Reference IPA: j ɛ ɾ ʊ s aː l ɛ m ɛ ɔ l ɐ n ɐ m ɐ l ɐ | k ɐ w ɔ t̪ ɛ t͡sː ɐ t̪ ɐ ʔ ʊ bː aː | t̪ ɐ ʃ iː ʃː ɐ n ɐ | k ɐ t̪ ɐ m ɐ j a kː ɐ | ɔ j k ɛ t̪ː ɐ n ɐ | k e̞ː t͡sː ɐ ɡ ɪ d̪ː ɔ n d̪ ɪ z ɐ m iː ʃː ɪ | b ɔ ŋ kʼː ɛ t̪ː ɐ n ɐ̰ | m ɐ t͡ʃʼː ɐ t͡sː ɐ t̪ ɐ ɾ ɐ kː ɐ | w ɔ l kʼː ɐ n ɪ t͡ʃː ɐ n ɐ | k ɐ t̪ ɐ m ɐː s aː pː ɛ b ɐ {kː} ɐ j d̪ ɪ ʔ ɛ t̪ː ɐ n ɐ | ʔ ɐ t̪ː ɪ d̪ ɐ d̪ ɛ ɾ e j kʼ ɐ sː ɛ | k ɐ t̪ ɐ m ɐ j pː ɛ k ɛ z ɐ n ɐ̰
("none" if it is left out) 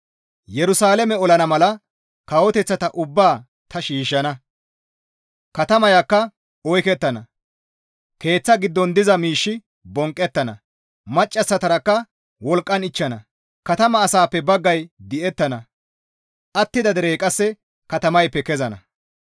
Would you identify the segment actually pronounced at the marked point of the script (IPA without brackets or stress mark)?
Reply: ɡː